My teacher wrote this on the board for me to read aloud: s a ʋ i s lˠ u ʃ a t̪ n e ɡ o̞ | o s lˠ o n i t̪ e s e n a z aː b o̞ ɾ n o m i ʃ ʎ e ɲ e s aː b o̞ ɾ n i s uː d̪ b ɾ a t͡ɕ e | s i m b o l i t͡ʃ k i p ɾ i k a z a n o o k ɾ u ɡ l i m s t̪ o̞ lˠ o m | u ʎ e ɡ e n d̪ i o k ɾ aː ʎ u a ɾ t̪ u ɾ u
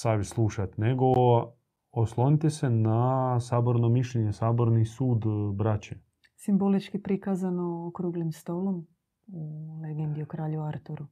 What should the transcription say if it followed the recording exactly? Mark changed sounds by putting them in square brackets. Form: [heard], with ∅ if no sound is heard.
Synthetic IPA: s a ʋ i s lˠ u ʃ a t̪ n e ɡ o̞ | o s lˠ o n i t̪ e s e n a [s] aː b o̞ ɾ n o m i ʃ ʎ e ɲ e s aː b o̞ ɾ n i s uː d̪ b ɾ a t͡ɕ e | s i m b o l i t͡ʃ k i p ɾ i k a z a n o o k ɾ u ɡ l i m s t̪ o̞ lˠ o m | u [l] e ɡ e n d̪ i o k ɾ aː ʎ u a ɾ t̪ u ɾ u